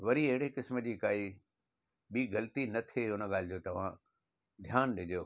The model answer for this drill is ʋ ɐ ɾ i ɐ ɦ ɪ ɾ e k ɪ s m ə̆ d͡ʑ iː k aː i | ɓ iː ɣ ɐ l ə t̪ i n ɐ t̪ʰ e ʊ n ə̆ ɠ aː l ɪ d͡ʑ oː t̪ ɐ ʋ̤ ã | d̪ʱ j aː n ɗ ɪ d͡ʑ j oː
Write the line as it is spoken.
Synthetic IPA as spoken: ʋ ɐ ɾ i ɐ ɦ ɪ ɽ e k ɪ s m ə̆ d͡ʑ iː k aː i | ɓ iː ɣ ɐ l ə t̪ i n ɐ t̪ʰ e ʊ n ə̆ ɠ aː l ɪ d͡ʑ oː t̪ ɐ ʋ̤ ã | d̪ʱ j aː n ɗ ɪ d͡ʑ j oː